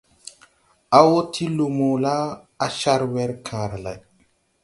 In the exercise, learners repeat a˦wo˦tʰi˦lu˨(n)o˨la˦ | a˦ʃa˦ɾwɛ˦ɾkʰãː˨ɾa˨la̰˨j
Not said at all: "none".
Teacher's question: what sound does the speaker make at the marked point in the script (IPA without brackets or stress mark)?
m